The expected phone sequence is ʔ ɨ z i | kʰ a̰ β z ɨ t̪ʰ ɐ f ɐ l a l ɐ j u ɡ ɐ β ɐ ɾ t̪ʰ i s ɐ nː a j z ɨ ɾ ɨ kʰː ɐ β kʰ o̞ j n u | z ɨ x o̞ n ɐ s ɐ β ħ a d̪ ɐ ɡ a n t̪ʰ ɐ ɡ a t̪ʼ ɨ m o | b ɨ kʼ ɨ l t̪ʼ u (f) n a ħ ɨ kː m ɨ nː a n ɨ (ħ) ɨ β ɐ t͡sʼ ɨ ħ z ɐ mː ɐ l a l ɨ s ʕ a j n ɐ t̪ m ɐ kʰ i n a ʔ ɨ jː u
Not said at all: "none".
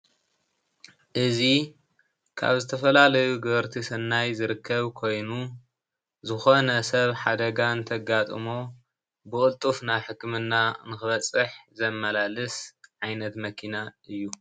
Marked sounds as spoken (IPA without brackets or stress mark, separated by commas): f, x